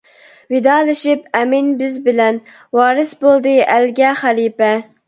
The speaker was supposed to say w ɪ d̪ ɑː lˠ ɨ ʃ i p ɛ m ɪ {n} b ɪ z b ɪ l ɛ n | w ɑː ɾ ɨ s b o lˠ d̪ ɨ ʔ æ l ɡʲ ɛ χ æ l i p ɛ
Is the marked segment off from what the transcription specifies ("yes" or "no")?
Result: no